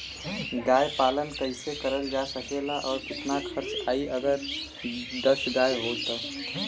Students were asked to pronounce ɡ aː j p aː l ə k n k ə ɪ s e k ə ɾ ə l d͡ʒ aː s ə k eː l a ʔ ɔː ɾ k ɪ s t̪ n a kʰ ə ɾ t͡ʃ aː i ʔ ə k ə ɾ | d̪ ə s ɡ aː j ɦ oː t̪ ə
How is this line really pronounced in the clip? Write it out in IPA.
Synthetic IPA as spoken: ɡ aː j p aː l ə n k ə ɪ s e k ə ɾ ə l d͡ʒ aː s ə k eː l a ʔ ɔː ɾ k ɪ t̪ n a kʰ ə ɾ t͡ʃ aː i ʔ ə ɡ ə ɾ | d̪ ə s ɡ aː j ɦ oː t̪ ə